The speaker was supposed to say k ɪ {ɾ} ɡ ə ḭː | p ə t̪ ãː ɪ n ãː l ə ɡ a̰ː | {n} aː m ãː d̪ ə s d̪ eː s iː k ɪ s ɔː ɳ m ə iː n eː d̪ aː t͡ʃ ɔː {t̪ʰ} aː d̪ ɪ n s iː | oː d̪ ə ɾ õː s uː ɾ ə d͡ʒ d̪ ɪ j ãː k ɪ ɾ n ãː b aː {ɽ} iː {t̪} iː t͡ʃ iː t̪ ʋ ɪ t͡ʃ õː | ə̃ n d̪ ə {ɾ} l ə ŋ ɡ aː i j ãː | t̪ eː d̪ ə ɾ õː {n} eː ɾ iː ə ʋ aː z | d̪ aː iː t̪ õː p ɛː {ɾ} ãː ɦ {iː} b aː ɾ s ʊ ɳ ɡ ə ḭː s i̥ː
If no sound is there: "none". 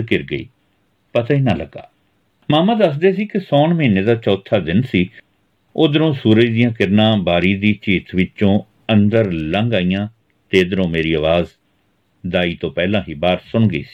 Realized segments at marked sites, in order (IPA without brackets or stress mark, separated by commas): ɾ, m, t̪ʰ, ɾ, d̪, ɾ, m, l, iː